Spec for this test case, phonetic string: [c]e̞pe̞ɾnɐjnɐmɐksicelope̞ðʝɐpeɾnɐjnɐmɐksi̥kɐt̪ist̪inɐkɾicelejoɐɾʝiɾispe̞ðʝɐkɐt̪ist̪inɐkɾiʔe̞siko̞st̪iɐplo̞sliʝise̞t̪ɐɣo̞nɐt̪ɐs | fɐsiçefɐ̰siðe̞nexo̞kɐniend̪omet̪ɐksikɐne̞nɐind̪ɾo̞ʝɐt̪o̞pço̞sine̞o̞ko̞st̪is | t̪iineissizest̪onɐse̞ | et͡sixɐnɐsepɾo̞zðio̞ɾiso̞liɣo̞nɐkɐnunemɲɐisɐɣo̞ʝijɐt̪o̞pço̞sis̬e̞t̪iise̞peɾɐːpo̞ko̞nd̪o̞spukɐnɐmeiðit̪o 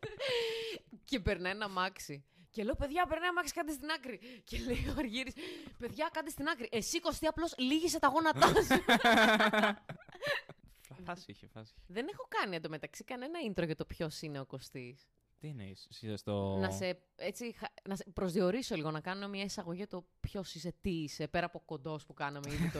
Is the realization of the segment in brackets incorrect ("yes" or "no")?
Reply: no